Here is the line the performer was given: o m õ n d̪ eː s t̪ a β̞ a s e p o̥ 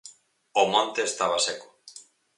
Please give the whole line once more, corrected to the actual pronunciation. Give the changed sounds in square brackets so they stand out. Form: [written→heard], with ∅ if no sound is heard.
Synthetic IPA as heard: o m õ n [d̪→t̪] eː s t̪ a β̞ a s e [p→k] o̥